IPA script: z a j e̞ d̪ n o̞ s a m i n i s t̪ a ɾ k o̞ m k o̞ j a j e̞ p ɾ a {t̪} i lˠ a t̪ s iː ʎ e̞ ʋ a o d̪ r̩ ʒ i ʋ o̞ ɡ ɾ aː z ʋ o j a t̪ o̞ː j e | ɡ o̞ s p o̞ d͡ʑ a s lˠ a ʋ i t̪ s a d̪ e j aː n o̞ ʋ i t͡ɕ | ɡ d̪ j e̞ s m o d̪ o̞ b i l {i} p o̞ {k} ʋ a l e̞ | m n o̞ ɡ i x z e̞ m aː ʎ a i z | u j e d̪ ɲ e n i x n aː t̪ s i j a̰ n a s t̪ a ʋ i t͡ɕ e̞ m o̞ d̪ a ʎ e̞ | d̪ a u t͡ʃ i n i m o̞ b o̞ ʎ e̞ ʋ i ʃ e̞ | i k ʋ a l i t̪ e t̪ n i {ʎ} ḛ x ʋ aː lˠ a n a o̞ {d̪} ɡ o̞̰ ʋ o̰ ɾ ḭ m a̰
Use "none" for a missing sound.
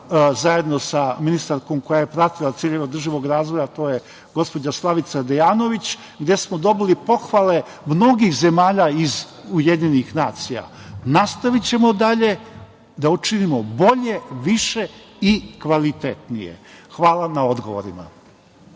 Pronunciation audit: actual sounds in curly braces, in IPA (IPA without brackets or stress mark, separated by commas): t̪, i, x, j, d̪